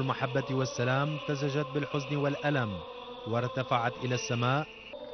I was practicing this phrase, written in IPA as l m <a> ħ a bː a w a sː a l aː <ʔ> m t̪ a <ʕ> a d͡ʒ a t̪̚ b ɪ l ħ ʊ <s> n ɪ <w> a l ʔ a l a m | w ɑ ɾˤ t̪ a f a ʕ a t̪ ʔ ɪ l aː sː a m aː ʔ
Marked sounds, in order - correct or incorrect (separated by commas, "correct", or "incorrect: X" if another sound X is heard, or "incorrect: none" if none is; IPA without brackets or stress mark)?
correct, incorrect: none, incorrect: z, incorrect: z, correct